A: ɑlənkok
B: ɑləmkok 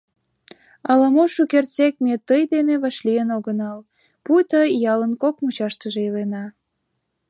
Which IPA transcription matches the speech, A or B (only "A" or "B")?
A